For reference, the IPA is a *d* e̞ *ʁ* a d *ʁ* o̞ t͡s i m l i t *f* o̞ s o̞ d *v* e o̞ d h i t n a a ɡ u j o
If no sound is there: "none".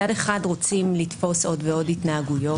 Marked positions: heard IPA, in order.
d, χ, ʁ, f, v

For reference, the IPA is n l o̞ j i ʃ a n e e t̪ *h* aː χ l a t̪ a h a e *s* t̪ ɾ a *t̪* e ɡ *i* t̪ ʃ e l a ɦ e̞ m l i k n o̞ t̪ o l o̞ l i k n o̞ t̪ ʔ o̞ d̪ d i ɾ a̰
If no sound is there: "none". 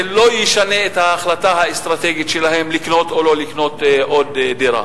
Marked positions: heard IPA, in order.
h, s, t̪, i

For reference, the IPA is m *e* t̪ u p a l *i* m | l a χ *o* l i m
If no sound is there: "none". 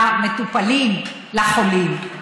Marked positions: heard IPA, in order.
e, i, o

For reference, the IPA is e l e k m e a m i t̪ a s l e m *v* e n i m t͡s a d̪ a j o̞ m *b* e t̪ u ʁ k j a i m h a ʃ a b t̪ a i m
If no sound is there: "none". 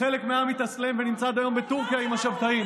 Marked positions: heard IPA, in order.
v, b

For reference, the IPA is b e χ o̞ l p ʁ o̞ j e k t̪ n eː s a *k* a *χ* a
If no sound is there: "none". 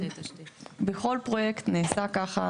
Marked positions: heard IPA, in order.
k, χ

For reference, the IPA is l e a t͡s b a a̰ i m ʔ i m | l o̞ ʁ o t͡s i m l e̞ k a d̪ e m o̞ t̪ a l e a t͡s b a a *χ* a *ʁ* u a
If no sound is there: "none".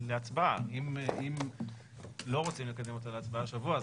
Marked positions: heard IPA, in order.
ʃ, v

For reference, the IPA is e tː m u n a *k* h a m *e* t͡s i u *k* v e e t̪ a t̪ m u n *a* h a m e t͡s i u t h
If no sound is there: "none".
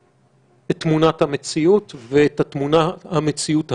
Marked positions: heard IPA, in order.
t, e, t, a

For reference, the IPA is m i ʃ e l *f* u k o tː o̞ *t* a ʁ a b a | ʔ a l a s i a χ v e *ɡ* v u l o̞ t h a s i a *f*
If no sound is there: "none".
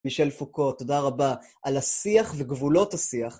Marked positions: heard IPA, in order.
f, d, ɡ, χ

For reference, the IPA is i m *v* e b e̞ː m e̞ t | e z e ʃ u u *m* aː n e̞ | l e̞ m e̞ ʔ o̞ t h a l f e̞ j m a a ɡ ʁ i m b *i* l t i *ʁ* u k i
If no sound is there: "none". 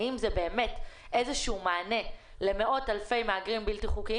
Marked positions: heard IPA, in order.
z, m, i, χ

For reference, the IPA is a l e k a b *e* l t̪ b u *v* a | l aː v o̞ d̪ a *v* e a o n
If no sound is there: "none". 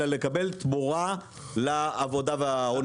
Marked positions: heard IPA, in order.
e, ʁ, v

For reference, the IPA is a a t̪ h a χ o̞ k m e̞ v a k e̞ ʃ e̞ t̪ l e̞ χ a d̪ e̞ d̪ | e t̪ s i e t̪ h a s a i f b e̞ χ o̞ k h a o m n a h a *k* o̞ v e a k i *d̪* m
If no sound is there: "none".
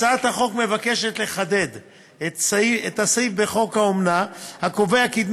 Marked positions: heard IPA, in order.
k, d̪

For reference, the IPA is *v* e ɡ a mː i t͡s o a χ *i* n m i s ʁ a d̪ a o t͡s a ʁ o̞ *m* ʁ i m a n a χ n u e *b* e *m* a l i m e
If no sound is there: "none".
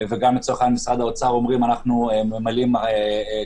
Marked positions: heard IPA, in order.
v, a, m, m, m

